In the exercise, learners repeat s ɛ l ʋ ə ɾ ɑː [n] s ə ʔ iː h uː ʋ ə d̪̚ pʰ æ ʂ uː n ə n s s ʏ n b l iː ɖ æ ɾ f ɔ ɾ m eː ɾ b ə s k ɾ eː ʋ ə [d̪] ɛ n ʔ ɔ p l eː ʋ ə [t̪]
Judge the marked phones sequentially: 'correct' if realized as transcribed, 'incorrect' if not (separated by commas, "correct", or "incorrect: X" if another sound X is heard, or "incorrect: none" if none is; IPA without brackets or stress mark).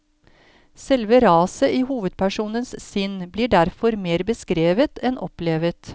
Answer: incorrect: none, incorrect: t̪, correct